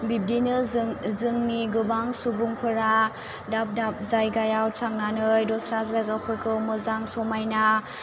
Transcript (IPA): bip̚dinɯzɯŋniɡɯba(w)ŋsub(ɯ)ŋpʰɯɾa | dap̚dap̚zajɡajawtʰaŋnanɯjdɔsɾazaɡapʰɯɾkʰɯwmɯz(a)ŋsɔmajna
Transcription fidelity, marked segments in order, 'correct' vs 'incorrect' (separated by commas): incorrect, incorrect, correct